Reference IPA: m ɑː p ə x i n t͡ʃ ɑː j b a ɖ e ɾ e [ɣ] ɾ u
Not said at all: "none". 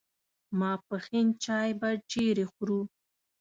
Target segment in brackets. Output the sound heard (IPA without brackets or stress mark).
x